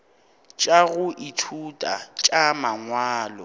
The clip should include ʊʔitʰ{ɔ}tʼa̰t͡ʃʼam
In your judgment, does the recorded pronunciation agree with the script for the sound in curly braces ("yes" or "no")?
no